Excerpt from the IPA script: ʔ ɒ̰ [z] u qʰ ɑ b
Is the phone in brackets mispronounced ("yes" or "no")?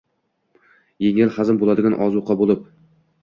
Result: no